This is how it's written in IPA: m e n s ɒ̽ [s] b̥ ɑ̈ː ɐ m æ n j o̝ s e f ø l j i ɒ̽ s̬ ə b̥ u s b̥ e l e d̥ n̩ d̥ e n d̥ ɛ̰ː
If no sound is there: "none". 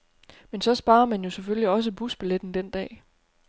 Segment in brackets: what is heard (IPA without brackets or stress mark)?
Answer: s